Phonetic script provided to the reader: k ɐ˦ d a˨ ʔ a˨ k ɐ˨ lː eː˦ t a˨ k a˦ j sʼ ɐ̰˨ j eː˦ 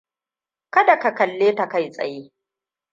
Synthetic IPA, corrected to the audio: k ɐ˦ d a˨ k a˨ k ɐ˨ lː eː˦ t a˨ k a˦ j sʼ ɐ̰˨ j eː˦